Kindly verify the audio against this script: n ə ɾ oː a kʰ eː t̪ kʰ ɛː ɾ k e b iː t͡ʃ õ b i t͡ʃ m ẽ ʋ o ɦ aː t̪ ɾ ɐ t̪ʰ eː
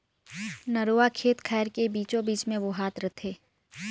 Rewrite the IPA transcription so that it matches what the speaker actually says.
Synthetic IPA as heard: n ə ɾ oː a kʰ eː t̪ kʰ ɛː ɾ k e b iː t͡ʃ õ b iː t͡ʃ m ẽ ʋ o ɦ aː t̪ ɾ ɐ t̪ʰ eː